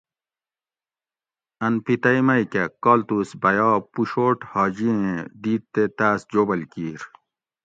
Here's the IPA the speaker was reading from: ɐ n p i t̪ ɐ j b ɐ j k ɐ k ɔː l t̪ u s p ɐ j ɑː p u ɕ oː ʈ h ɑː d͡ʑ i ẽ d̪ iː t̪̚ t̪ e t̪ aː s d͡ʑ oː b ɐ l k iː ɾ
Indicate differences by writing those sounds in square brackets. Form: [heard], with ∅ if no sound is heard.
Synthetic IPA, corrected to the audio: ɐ n p i t̪ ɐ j [m] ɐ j k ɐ k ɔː l t̪ u s [b] ɐ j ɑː p u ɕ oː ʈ h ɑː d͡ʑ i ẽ d̪ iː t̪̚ t̪ e t̪ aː s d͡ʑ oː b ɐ l k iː ɾ